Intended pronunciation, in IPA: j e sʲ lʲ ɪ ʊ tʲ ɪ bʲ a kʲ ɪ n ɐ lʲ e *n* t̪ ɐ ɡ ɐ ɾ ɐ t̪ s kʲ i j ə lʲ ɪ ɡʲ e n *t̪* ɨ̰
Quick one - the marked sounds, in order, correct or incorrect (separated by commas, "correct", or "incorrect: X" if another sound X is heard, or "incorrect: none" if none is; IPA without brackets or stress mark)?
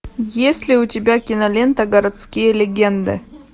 correct, incorrect: d̪